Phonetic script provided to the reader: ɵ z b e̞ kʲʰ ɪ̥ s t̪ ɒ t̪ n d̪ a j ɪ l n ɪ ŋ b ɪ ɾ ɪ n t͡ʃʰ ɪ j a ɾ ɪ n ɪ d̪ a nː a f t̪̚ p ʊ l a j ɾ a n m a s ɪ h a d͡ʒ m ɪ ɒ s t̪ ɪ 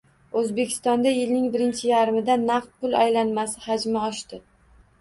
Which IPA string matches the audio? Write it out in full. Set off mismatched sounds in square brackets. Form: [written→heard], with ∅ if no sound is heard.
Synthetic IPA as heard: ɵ z b e̞ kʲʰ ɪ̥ s t̪ ɒ [t̪→∅] n d̪ a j ɪ l n ɪ ŋ b ɪ ɾ ɪ n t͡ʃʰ ɪ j a ɾ ɪ [n→m] ɪ d̪ a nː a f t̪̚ p ʊ l a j [ɾ→l] a n m a s ɪ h a d͡ʒ m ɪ ɒ [s→ʃ] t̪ ɪ